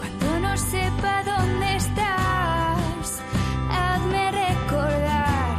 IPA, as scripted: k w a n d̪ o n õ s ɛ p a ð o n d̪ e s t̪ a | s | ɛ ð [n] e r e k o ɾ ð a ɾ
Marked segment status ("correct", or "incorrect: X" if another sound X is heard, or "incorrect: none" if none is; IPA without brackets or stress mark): incorrect: m